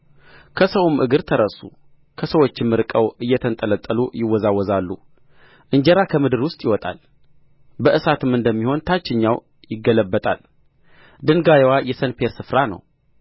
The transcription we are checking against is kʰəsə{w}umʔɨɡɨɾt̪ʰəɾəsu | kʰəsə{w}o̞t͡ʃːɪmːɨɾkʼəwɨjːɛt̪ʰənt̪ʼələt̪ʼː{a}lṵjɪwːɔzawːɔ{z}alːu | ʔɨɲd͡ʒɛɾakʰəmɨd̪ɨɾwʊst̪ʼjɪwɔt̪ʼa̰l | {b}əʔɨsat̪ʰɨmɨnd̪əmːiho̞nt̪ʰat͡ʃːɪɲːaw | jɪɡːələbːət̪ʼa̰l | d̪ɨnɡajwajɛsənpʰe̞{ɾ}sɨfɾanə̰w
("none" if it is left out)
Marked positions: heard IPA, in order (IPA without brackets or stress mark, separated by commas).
w, w, ə, z, b, ɾ